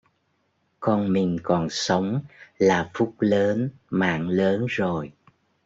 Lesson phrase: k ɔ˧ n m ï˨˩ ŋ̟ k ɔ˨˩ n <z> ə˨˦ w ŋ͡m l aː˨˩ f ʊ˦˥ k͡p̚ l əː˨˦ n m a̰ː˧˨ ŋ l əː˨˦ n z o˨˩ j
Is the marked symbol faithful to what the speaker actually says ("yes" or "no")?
no